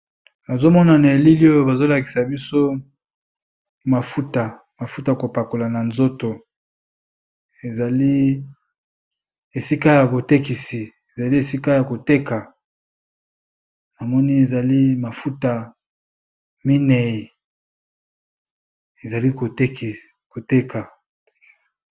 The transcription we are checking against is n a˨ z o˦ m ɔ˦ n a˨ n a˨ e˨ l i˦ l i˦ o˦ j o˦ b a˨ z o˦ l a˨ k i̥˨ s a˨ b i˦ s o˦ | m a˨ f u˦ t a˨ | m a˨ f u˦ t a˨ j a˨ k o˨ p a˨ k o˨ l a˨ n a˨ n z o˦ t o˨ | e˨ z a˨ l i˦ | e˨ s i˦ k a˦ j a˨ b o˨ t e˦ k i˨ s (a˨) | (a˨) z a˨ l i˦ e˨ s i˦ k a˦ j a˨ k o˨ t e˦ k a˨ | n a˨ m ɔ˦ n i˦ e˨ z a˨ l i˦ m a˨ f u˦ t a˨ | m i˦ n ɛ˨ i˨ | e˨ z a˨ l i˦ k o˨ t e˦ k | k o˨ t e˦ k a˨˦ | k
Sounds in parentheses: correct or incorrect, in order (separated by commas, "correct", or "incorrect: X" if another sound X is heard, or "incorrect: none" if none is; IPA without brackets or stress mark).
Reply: incorrect: i˨, incorrect: e˨